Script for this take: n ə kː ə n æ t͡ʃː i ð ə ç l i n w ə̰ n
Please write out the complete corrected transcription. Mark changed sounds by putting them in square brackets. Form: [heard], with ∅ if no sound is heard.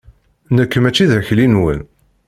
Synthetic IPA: n ə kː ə [m] æ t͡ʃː i ð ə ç l i n w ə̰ n